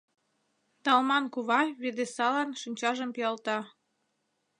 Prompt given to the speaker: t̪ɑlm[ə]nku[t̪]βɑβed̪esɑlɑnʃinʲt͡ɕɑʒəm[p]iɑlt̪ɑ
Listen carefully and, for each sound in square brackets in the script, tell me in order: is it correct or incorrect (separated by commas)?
incorrect, incorrect, correct